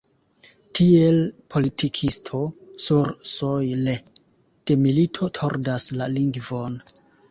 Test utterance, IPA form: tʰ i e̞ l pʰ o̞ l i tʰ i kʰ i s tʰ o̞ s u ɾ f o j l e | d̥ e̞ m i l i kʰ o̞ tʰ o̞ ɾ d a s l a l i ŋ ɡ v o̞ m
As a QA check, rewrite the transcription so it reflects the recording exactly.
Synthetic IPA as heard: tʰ i e̞ l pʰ o̞ l i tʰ i kʰ i s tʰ o̞ s u ɾ s o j l e | d̥ e̞ m i l i tʰ o̞ tʰ o̞ ɾ d a s l a l i ŋ ɡ v o̞ n